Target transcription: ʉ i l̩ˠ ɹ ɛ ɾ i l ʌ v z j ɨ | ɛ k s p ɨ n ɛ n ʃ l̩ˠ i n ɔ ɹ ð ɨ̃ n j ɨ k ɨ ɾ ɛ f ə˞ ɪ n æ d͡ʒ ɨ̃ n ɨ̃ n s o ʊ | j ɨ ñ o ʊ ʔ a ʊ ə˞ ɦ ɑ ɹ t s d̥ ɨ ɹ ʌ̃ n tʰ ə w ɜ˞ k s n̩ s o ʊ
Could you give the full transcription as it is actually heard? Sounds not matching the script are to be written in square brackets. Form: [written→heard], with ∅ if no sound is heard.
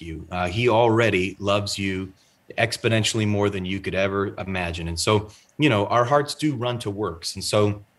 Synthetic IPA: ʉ i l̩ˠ ɹ ɛ ɾ i l ʌ v z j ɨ | ɛ k s p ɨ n [ɛ→ɛ̃] n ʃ l̩ˠ i [n→m] ɔ ɹ ð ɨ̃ n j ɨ k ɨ ɾ ɛ [f→v] ə˞ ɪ [n→m] æ d͡ʒ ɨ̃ n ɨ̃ n s o ʊ | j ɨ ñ o ʊ ʔ a ʊ ə˞ ɦ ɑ ɹ t s d̥ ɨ ɹ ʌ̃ n tʰ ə w ɜ˞ k s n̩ s o ʊ